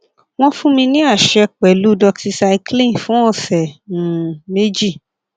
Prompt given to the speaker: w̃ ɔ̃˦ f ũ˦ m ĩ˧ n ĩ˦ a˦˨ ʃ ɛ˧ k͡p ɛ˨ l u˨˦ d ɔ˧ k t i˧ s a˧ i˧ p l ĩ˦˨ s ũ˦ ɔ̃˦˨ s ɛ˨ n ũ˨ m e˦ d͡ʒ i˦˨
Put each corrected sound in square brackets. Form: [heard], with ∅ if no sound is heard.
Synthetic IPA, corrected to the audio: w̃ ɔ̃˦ f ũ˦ m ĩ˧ n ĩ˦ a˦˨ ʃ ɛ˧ k͡p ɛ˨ l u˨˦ d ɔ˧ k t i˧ s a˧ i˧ [k] l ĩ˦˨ [f] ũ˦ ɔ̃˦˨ s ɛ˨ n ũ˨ m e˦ d͡ʒ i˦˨